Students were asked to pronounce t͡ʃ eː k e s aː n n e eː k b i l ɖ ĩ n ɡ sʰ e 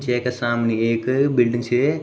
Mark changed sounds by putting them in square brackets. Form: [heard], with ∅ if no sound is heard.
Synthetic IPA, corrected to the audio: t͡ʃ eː k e s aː [m] n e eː k b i l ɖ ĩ [ŋ] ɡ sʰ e